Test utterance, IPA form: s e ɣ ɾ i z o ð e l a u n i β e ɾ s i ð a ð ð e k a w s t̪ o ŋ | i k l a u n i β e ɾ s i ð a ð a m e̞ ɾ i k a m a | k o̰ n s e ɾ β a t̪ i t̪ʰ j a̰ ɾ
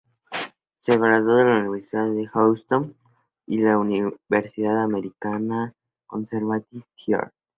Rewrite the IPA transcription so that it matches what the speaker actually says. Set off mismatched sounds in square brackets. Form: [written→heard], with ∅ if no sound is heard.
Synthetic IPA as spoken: s e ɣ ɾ [i→a] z o ð e l a u n i β e ɾ s i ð a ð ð e [k→x] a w s t̪ o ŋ | i [k→∅] l a u n i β e ɾ s i ð a ð a m e̞ ɾ i k a [m→n] a | k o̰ n s e ɾ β a t̪ i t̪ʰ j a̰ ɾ